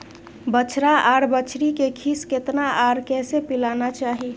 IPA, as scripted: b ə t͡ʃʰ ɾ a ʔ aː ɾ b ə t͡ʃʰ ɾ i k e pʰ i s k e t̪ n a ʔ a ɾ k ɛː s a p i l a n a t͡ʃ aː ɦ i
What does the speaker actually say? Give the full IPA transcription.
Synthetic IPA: b ə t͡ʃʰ ɾ a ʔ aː ɾ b ə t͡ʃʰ ɾ i k e kʰ i s k e t̪ n a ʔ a ɾ k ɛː s e p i l a n a t͡ʃ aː ɦ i